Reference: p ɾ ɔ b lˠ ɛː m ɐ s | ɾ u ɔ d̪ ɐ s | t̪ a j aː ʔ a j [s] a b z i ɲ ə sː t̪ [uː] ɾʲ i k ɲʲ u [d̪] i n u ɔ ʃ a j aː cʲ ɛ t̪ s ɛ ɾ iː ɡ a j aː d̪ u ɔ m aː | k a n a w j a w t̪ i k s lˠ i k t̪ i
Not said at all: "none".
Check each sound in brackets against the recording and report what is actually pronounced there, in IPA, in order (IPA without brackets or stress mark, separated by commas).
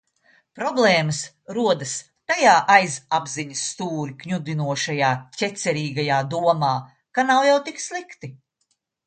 z, uː, d̪